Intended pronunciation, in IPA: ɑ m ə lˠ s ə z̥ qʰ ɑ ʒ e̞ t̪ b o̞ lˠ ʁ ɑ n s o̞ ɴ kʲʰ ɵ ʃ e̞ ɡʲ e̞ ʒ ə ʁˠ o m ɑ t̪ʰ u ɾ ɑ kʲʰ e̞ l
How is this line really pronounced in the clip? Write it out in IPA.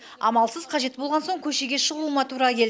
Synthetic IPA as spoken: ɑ m ɑ lˠ s ə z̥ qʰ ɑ ʒ e̞ t̪ b o̞ lˠ ʁ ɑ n s o̞ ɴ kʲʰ ɵ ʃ e̞ ɡʲ e̞ ʃ ə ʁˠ u m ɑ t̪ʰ u ɾ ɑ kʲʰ e̞ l